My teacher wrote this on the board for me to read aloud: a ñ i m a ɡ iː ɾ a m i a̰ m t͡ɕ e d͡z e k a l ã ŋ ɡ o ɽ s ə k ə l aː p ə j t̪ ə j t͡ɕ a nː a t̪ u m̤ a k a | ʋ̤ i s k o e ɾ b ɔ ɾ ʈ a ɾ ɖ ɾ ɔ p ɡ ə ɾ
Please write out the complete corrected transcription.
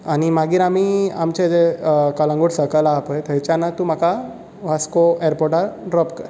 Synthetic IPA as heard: a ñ i m a ɡ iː ɾ a m i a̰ m t͡ɕ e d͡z e k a l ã ŋ ɡ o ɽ s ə k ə l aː p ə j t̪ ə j t͡ɕ a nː a t̪ u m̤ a k a | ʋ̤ a s k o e ɾ p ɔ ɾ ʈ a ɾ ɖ ɾ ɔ p k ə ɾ